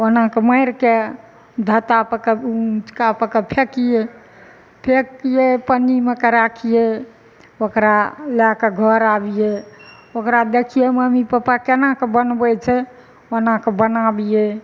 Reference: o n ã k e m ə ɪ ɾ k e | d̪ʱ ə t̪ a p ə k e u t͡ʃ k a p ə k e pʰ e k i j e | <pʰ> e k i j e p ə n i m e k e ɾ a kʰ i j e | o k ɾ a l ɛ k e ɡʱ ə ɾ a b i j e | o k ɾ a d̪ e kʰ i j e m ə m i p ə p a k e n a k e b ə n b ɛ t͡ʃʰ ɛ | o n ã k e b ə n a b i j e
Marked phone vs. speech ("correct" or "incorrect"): correct